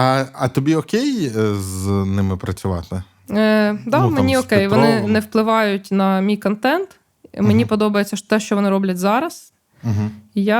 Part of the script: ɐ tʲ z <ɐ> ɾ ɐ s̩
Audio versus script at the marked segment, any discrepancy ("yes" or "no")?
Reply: yes